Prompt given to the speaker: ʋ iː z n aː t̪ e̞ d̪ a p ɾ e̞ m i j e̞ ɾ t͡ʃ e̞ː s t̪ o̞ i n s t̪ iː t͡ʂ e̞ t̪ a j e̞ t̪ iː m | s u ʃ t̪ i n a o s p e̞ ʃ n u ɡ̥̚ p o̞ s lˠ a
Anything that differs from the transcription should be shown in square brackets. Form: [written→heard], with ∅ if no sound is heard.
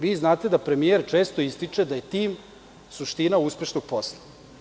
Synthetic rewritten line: ʋ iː z n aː t̪ e̞ d̪ a p ɾ e̞ m i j e̞ ɾ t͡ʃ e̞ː s t̪ o̞ i [n→∅] s t̪ [iː→i] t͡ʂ e̞ [t̪→d̪] a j e̞ t̪ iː m | s u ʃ t̪ i n a [o→u] s p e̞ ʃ n [u→o] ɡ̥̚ p o̞ s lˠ a